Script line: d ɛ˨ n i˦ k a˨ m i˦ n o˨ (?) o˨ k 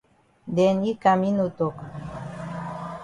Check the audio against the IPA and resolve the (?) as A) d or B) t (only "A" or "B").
B